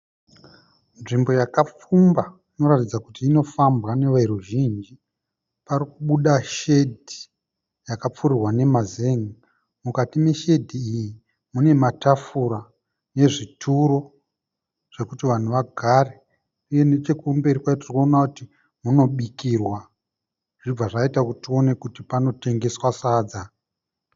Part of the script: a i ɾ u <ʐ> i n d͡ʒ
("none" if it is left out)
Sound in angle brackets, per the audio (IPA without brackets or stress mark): ʒ